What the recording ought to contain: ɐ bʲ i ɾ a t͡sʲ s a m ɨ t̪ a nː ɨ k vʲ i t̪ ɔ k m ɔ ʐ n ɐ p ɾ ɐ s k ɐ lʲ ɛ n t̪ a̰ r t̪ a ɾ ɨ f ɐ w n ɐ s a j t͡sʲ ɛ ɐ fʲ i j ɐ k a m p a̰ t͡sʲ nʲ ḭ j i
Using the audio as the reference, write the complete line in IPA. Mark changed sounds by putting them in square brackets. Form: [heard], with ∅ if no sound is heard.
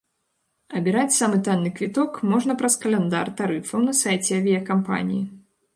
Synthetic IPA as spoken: ɐ bʲ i ɾ a t͡sʲ s a m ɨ t̪ a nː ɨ k vʲ i t̪ ɔ k m ɔ ʐ n ɐ p ɾ ɐ s k ɐ lʲ ɛ n [d̪] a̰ r t̪ a ɾ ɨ f ɐ w n ɐ s a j t͡sʲ ɛ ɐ [vʲ] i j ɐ k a m p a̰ [∅] nʲ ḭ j i